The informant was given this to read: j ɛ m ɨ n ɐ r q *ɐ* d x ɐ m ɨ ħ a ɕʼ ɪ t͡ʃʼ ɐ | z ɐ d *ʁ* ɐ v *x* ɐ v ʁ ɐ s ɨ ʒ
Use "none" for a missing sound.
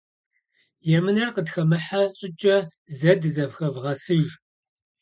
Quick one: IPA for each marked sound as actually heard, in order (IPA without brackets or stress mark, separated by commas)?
ə, z, x